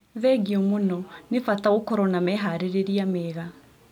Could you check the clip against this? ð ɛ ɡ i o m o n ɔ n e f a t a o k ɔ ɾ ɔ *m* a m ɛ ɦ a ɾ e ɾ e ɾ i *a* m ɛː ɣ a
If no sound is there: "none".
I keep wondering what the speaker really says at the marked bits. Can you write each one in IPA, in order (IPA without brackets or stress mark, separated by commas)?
n, a